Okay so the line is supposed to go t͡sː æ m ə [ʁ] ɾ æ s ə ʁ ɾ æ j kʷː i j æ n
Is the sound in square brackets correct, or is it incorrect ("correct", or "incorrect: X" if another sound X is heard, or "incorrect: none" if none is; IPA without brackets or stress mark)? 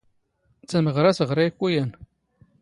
correct